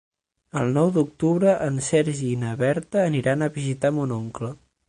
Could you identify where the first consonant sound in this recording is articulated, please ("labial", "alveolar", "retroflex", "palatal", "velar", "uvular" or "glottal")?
alveolar